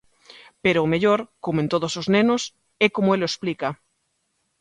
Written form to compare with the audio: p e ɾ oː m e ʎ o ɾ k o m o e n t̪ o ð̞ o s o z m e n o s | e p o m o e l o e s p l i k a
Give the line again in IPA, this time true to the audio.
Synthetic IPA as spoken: p e ɾ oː m e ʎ o ɾ k o m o e n t̪ o ð̞ o s o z n e n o s | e k o m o e l o e s p l i k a